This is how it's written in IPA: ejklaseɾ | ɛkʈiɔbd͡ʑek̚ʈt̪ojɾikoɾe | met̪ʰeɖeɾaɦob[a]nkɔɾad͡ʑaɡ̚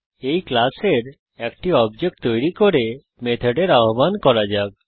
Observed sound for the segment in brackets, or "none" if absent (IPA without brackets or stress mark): a